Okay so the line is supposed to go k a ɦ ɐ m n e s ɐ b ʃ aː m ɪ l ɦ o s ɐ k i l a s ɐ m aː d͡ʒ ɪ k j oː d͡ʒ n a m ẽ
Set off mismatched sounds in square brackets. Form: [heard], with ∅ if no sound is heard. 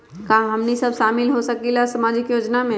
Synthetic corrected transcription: k a ɦ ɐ m n [i] s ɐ b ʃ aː m ɪ l ɦ o s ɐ k i l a s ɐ m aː d͡ʒ ɪ k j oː d͡ʒ n a m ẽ